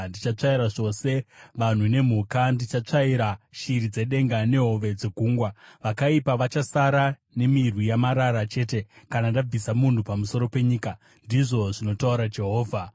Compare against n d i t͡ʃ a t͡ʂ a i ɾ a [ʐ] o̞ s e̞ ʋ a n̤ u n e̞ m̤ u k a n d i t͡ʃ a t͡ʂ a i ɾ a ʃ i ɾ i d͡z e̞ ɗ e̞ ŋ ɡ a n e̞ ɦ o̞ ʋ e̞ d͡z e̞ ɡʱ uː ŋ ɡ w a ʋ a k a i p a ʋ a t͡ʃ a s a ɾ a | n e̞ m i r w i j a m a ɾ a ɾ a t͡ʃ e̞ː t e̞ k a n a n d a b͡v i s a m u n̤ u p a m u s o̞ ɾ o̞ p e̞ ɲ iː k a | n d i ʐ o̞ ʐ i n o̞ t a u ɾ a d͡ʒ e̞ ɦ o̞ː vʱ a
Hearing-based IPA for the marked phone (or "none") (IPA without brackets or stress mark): ʐ